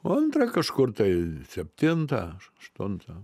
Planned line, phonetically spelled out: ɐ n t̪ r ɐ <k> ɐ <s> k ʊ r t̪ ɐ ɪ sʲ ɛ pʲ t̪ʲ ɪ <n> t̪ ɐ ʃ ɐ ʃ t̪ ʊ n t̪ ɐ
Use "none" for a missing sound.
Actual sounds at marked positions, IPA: k, ʃ, n

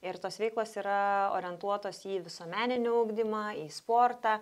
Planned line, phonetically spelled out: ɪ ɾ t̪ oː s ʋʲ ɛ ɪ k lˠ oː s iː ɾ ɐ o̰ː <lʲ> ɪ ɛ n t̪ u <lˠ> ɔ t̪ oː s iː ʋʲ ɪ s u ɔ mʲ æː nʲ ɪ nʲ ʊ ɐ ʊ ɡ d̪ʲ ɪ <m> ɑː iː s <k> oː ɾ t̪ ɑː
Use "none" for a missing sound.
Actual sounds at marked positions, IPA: ɾʲ, none, m, p

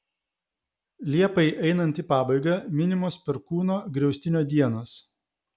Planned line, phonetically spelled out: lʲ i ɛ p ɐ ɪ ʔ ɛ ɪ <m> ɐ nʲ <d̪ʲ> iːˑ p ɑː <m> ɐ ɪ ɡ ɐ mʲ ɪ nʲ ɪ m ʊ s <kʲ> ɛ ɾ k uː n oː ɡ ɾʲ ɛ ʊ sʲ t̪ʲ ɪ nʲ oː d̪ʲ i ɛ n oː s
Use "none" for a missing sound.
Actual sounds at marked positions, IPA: n, t̪ʲ, b, pʲ

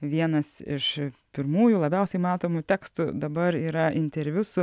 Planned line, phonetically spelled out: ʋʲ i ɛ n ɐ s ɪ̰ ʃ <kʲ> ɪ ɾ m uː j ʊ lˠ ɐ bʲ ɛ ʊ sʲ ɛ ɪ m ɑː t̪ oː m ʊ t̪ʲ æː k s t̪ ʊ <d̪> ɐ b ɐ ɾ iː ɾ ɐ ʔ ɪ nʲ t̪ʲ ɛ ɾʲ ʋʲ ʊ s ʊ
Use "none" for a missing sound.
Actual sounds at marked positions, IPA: pʲ, d̪

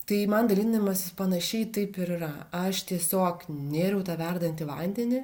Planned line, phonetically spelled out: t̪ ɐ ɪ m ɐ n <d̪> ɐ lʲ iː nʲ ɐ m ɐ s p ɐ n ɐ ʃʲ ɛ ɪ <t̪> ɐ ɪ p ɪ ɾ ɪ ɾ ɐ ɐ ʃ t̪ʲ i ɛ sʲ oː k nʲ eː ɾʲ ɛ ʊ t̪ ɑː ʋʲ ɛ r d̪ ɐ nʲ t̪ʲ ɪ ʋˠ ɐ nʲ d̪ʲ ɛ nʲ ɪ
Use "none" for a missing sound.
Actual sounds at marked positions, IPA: d̪, t̪

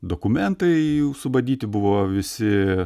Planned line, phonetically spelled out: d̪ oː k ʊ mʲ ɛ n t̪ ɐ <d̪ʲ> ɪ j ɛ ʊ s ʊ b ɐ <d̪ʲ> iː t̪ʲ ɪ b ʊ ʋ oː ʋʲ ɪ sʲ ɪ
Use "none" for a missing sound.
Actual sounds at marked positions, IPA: none, d̪ʲ

